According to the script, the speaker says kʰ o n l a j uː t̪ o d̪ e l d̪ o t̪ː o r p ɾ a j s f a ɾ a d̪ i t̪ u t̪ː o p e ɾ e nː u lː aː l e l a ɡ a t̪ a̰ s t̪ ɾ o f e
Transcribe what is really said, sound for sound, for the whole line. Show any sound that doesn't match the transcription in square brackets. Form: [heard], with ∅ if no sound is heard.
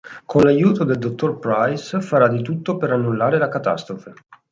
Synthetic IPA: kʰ o n l a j uː t̪ o d̪ e l d̪ o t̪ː o r p ɾ a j s f a ɾ a d̪ i t̪ u t̪ː o p e ɾ [a] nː u lː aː [ɾ] e l a [k] a t̪ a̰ s t̪ ɾ o f e